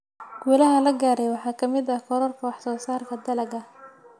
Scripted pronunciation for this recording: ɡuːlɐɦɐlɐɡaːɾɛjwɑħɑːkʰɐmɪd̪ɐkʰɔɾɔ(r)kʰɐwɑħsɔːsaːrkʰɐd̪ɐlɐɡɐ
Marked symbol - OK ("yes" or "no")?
yes